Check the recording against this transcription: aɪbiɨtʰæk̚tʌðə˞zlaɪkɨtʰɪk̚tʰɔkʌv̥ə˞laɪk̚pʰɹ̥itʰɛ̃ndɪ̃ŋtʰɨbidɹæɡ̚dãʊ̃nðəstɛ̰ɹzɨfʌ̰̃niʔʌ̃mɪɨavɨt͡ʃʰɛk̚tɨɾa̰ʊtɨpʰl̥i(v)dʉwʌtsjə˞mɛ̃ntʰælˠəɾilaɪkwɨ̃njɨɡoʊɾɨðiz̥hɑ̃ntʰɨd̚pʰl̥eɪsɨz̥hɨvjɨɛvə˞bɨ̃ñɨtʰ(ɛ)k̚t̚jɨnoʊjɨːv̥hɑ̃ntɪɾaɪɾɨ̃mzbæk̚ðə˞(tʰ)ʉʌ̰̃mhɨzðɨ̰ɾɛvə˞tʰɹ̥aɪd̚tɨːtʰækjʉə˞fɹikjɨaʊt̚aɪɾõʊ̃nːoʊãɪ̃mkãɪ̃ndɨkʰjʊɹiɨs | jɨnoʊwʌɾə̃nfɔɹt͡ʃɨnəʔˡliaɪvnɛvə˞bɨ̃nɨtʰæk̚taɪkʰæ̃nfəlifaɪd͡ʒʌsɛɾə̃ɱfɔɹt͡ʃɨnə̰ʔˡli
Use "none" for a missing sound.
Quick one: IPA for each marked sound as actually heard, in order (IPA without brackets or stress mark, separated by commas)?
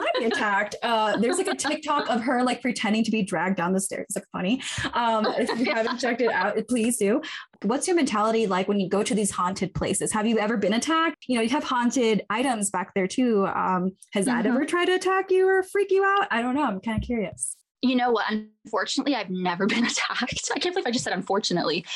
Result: z, æ, tʰ